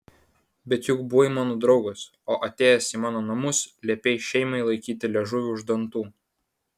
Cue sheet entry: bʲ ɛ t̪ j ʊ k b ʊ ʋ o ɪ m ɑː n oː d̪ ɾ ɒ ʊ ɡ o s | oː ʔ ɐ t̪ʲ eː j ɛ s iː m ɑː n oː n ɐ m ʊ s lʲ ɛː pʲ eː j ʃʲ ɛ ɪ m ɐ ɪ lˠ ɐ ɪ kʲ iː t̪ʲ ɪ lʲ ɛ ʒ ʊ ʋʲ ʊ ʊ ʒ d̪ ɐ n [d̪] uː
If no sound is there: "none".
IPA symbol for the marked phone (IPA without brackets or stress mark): t̪